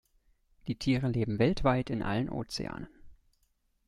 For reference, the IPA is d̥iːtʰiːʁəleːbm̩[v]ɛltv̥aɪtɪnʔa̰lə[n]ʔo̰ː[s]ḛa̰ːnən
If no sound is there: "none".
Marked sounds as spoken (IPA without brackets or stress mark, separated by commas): v, n, t͡s